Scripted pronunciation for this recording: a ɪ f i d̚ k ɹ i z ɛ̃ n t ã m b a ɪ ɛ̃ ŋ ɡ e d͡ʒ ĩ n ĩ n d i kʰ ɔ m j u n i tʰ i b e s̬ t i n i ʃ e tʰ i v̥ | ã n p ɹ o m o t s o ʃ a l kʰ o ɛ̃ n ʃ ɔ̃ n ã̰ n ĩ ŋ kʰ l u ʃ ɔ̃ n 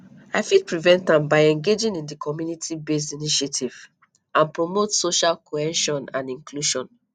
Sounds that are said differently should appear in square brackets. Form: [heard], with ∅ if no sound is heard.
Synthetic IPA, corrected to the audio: a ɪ f i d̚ [p] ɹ i [v] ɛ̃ n t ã m b a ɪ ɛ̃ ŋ ɡ e d͡ʒ ĩ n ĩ n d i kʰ ɔ m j u n i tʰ i b e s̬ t i n i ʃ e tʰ i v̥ | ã n p ɹ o m o t s o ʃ a l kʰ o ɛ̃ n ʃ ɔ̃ n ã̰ n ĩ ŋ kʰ l u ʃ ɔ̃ n